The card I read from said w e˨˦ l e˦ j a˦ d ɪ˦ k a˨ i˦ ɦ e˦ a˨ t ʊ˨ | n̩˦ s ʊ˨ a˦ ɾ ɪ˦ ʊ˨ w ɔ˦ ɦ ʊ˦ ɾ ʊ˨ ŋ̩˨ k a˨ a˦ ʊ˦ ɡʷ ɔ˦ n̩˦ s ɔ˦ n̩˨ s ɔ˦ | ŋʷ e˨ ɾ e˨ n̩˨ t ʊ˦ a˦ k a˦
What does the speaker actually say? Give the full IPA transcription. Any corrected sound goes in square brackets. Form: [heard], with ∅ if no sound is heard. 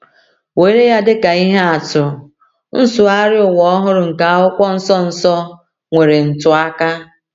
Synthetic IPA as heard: w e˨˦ [ɾ] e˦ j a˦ d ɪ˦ k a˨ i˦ ɦ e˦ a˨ t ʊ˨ | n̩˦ s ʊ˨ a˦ ɾ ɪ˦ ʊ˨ w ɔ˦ ɦ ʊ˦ ɾ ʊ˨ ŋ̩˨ k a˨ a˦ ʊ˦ [kʷ] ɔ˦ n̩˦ s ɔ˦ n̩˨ s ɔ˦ | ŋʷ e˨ ɾ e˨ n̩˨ t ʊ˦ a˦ k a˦